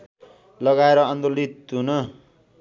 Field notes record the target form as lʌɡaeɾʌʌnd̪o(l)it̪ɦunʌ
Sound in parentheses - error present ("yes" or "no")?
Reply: no